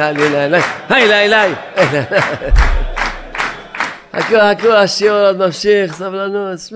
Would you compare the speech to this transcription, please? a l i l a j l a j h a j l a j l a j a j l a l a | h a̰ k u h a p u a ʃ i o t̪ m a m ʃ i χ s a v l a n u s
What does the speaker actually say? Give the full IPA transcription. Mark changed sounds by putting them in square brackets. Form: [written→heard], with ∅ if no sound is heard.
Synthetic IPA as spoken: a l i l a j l a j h a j l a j l a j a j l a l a | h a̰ k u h a [p→k] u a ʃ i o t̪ m a m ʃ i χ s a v l a n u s